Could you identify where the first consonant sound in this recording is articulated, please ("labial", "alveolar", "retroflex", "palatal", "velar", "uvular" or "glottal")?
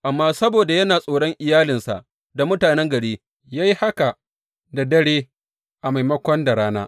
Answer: glottal